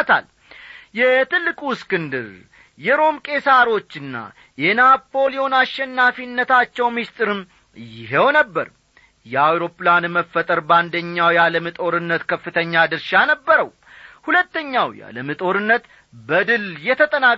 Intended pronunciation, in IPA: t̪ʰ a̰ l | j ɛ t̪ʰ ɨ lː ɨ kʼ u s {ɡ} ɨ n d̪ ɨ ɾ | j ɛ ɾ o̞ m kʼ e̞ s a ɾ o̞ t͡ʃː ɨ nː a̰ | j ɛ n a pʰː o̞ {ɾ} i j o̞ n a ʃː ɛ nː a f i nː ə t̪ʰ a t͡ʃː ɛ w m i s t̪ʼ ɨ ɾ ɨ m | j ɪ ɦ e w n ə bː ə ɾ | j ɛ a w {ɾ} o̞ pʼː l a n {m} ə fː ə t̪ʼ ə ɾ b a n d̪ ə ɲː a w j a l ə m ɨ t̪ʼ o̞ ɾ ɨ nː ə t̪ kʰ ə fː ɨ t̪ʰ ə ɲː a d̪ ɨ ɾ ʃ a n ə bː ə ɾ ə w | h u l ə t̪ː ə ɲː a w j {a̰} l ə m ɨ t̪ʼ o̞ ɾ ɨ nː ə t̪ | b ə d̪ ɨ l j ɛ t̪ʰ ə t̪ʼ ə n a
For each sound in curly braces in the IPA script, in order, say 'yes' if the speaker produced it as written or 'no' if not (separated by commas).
no, no, yes, yes, yes